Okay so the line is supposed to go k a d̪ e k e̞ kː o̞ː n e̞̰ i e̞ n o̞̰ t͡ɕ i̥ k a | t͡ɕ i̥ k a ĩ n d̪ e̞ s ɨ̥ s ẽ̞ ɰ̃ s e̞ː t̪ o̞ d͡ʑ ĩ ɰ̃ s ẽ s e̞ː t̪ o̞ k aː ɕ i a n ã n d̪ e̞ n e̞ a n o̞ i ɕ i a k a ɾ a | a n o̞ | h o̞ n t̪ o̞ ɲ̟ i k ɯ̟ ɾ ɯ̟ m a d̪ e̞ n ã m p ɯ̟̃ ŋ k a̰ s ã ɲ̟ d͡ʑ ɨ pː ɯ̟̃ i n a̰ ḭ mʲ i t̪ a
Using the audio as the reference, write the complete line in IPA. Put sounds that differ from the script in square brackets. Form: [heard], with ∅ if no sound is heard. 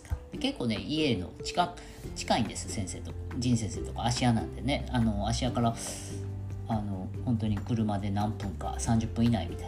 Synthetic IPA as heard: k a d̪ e k e̞ kː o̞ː n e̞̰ i e̞ n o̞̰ t͡ɕ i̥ k a | t͡ɕ i̥ k a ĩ n d̪ e̞ s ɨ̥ s ẽ̞ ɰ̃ s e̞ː t̪ o̞ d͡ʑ ĩ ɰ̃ s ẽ s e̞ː t̪ o̞ k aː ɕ i a n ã n d̪ e̞ n e̞ a n o̞ [a] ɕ i a k a ɾ a | a n o̞ | h [õ̞] n t̪ o̞ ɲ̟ i k ɯ̟ ɾ ɯ̟ m a d̪ e̞ n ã m p ɯ̟̃ ŋ k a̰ s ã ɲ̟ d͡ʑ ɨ pː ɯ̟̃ i n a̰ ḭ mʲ i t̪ a